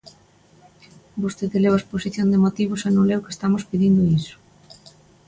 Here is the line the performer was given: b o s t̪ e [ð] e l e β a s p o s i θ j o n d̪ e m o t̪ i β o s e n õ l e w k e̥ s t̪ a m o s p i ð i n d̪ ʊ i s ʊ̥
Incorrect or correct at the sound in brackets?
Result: correct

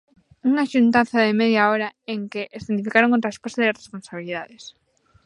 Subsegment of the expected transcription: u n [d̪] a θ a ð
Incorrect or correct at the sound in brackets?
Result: incorrect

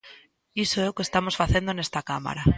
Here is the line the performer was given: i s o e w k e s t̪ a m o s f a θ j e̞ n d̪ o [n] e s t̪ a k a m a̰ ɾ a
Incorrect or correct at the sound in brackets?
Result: correct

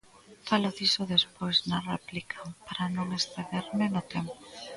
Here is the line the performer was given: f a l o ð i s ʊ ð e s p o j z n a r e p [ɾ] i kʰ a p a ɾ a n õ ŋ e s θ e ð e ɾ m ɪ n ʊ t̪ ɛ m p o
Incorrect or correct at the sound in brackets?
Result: incorrect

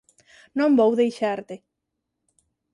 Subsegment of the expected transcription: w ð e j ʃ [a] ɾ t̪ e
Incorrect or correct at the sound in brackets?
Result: correct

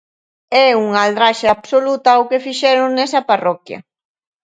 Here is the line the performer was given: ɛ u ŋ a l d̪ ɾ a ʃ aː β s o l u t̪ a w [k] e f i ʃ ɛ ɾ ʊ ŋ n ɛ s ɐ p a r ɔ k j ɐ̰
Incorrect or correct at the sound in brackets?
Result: correct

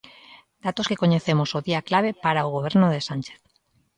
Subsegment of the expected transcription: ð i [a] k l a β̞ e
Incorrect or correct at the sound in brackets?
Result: correct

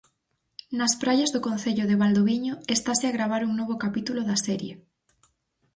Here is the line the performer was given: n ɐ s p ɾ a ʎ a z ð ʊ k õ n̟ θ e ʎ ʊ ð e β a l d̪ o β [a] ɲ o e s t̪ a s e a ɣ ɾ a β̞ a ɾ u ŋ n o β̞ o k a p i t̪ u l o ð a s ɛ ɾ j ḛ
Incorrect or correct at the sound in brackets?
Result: incorrect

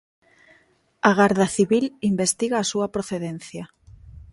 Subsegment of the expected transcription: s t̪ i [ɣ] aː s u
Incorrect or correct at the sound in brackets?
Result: correct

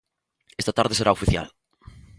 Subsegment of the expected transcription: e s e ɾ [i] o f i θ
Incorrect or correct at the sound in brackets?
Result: incorrect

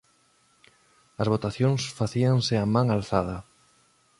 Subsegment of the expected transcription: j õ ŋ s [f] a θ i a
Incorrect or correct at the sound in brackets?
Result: correct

